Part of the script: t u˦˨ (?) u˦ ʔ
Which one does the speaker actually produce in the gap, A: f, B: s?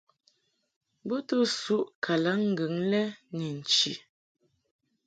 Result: B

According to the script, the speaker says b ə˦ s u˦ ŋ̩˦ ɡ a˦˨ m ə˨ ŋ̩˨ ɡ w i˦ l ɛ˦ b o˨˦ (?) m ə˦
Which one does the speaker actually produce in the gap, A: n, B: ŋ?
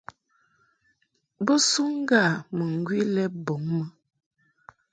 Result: B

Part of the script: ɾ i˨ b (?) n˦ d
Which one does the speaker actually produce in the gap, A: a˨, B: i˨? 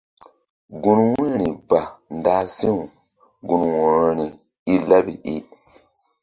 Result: A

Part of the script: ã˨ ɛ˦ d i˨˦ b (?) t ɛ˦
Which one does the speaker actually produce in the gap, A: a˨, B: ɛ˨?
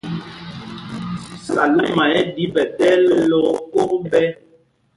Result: B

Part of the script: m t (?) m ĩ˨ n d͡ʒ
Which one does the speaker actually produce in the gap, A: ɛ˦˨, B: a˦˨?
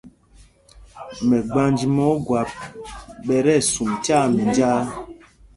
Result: B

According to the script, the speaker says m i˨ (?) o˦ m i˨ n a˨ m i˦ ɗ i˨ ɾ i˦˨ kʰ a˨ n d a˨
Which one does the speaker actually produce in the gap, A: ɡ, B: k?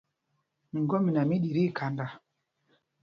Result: A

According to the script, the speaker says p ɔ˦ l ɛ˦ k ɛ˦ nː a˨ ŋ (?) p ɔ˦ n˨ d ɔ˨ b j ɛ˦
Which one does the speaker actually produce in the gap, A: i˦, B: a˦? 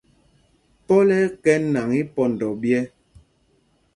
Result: A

